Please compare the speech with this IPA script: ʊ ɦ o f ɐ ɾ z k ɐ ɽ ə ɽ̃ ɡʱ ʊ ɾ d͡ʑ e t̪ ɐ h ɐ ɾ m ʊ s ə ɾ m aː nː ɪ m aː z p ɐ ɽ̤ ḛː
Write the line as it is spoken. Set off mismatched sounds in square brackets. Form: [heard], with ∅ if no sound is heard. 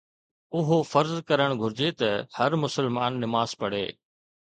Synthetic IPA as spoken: ʊ ɦ o f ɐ ɾ z k ɐ [ɾ] ə ɽ̃ ɡʱ ʊ ɾ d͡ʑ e t̪ ɐ h ɐ ɾ m ʊ s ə [l] m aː nː ɪ m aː z p ɐ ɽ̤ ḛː